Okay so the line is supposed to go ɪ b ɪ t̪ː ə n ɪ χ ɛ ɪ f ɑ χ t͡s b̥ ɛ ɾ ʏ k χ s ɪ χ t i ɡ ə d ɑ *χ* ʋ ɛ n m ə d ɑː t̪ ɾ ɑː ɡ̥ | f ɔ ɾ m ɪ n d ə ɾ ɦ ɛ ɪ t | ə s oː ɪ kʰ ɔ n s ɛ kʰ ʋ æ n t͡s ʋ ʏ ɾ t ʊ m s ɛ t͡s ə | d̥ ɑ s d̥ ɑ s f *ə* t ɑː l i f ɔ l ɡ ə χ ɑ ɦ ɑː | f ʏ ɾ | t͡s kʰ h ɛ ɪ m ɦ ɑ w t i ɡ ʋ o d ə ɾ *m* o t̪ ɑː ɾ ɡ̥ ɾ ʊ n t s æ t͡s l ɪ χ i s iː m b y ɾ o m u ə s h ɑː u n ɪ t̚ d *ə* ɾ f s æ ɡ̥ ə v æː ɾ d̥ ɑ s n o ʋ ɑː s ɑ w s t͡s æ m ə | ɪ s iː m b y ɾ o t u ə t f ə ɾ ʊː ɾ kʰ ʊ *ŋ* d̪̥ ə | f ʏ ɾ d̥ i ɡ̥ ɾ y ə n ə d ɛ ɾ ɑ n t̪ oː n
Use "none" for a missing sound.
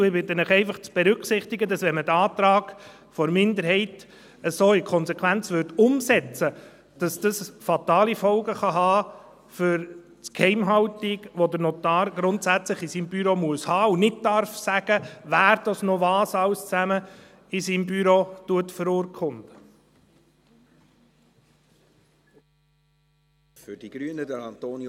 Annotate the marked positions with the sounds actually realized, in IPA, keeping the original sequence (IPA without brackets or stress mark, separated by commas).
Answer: s, ɑ, n, ɑ, n